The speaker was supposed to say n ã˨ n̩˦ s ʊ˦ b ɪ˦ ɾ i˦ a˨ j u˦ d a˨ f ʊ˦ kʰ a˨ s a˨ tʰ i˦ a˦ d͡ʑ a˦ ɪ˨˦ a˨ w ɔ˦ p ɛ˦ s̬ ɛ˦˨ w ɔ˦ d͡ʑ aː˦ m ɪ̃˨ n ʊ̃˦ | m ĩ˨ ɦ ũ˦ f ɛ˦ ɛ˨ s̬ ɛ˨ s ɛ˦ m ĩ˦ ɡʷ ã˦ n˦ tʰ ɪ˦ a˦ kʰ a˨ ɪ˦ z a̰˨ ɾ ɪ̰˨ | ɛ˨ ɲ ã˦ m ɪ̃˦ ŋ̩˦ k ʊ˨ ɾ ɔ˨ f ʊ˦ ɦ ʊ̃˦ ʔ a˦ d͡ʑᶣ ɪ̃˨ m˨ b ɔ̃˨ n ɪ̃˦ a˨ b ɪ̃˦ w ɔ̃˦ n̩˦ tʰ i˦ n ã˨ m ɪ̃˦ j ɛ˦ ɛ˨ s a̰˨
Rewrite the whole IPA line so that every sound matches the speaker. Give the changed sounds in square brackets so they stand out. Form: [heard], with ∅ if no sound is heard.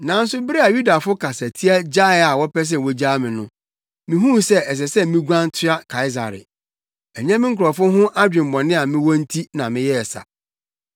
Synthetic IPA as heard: n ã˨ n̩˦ s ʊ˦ b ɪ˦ ɾ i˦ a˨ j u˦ d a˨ f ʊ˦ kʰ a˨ s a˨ tʰ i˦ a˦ d͡ʑ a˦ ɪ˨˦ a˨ w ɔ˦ p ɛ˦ s̬ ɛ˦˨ w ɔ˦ d͡ʑ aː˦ m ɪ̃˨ n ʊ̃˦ | m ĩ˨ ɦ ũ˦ [s] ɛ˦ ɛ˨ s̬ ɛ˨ s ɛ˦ m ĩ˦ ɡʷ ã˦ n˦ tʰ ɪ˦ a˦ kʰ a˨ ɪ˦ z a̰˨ ɾ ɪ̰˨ | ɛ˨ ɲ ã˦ m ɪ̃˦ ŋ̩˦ k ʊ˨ ɾ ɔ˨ f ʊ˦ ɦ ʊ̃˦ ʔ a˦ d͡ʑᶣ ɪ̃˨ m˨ b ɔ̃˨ n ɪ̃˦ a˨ [m] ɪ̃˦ w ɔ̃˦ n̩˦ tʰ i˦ n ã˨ m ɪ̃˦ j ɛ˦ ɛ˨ s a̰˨